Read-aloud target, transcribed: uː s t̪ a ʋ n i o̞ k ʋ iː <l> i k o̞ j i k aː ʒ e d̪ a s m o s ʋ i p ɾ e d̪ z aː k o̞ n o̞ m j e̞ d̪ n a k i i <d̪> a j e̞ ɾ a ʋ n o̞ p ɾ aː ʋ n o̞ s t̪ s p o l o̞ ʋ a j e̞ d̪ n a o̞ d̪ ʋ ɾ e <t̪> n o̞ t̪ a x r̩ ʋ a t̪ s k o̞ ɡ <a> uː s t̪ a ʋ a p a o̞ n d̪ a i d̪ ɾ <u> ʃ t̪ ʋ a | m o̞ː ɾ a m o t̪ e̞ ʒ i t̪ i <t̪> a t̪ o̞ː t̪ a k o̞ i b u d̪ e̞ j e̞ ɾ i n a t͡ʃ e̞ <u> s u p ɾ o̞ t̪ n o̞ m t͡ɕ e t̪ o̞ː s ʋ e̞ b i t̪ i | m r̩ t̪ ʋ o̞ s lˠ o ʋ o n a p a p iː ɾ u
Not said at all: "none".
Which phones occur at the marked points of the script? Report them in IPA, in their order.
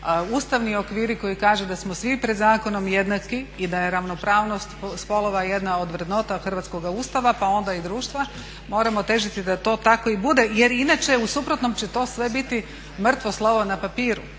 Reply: ɾ, d̪, d̪, a, uː, d̪, u

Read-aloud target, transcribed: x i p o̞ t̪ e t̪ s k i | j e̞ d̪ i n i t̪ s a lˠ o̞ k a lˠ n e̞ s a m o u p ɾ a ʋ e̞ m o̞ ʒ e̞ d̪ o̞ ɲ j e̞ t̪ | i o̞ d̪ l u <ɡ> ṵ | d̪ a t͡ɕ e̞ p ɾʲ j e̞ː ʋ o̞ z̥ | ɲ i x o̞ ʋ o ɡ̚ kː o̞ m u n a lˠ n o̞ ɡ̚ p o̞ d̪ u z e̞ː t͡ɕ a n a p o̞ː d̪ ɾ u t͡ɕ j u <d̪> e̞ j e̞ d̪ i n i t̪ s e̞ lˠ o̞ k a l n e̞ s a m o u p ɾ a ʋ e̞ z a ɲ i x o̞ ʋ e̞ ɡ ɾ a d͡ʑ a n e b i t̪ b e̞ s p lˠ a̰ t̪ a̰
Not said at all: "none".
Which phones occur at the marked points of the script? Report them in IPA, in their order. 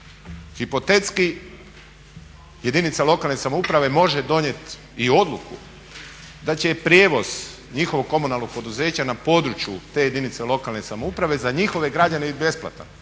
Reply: k, t̪

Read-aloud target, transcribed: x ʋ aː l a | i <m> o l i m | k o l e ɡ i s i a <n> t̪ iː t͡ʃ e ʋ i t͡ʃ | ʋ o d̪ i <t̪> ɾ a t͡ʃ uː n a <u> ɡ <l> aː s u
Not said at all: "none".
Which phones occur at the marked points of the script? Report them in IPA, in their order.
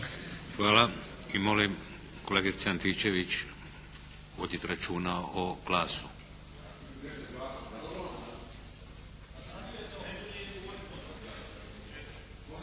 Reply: m, n, t̪, o, l

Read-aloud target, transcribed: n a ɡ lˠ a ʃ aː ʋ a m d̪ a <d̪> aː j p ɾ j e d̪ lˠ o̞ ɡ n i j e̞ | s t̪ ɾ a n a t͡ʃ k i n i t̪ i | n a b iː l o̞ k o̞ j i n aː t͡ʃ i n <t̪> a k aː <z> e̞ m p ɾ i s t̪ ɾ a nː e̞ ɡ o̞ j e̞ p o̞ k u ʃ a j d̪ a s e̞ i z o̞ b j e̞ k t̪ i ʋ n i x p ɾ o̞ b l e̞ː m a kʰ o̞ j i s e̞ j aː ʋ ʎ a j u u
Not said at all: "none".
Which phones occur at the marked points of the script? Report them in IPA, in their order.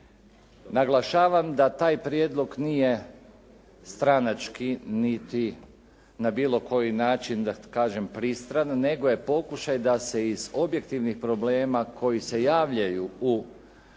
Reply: t̪, d̪, ʒ

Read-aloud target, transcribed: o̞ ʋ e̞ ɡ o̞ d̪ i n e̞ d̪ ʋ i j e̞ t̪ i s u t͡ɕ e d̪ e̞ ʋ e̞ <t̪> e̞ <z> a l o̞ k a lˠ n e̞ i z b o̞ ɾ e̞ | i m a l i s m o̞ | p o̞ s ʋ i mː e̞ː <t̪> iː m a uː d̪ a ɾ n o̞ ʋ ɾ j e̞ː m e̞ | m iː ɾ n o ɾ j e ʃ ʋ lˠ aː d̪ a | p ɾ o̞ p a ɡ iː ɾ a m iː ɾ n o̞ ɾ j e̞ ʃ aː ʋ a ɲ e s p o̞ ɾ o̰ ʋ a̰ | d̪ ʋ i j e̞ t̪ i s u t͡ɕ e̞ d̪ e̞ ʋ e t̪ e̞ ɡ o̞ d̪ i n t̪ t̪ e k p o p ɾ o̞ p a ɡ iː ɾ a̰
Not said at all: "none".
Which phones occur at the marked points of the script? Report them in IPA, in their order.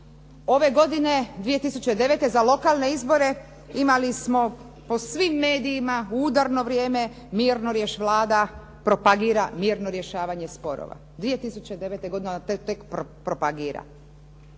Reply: t̪, z, d̪

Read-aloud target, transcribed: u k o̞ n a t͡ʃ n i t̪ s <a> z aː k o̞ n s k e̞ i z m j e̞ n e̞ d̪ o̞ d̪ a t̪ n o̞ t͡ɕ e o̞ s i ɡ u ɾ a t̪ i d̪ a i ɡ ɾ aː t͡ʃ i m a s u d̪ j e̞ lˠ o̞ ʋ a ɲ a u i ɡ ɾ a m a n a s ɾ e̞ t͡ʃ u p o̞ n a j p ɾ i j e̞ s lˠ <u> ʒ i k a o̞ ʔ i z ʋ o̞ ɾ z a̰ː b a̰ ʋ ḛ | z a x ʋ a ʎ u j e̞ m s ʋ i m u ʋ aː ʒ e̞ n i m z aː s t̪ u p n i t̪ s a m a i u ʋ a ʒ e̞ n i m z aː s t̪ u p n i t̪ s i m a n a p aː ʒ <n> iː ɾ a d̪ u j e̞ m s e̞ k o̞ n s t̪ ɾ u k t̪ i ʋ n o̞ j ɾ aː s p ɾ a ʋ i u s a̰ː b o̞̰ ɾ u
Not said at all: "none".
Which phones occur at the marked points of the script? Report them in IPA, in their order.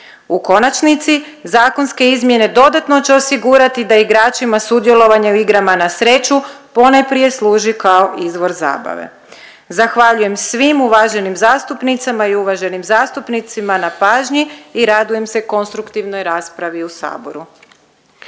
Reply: i, uː, ɲ

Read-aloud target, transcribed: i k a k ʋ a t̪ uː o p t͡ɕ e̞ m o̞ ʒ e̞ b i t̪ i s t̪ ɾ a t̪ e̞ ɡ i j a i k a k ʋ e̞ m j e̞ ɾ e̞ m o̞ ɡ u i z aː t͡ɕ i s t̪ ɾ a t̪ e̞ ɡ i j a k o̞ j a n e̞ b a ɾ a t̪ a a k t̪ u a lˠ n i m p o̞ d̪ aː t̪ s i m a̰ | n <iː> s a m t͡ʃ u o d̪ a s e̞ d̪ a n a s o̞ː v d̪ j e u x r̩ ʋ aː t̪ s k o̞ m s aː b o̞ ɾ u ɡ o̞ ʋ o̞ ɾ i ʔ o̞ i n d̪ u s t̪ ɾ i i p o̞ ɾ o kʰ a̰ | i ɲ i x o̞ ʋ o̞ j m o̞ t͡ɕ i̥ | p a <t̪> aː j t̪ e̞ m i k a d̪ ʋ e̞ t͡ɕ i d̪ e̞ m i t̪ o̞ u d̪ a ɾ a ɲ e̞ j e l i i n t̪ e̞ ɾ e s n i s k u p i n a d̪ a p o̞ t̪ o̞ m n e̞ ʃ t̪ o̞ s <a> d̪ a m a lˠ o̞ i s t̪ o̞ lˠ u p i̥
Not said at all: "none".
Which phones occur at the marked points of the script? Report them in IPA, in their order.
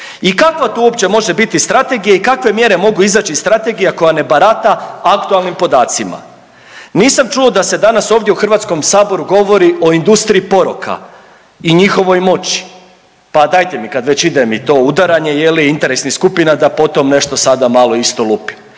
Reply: iː, d̪, a

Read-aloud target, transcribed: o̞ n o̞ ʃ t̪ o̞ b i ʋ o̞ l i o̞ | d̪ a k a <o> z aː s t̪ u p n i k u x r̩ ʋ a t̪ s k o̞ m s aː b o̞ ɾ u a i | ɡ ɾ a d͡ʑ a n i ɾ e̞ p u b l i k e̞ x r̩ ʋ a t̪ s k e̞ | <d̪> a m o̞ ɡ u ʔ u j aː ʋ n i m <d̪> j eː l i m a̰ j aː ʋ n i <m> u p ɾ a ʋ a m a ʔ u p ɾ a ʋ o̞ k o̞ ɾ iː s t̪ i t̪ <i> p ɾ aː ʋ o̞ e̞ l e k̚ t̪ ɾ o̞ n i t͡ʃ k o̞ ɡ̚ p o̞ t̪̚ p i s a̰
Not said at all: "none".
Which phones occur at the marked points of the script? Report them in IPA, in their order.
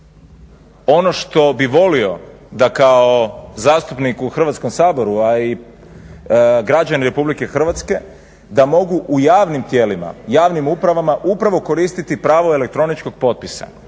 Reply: o, d̪, t̪, m, i

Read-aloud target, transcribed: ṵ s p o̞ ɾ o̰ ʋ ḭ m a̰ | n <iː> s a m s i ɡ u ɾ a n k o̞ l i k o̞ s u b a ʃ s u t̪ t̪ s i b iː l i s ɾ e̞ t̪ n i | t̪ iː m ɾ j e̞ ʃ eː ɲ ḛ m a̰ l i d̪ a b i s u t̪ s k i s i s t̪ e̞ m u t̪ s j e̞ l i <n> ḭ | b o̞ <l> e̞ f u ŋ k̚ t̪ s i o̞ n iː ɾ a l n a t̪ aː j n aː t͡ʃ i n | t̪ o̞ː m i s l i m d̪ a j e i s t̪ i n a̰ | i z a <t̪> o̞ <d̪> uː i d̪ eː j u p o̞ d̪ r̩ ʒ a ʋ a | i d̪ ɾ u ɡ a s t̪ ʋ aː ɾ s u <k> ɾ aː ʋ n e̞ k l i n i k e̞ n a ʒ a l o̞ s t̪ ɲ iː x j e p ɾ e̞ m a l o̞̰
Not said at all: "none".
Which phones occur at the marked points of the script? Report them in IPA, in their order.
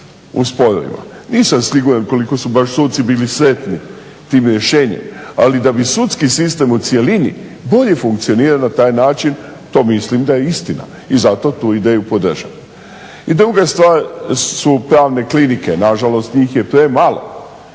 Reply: iː, n, ʎ, t̪, t̪, p

